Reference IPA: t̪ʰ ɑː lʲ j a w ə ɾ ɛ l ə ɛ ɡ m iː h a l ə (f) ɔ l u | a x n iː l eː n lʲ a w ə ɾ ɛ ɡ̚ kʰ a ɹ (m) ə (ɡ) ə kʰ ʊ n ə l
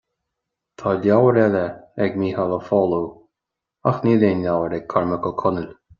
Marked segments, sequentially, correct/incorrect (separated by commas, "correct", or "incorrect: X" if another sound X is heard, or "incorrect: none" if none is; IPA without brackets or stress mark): correct, correct, incorrect: k